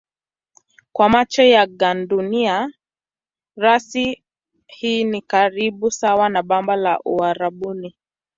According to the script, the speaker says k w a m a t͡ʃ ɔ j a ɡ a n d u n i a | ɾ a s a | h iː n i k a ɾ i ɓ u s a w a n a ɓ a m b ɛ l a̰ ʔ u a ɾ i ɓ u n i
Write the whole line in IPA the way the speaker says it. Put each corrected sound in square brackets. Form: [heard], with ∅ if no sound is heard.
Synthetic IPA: k w a m a t͡ʃ ɔ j a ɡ a n d u n i a | ɾ a s [i] | h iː n i k a ɾ i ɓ u s a w a n a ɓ a m b [a] l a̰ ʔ u a ɾ [a] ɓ u n i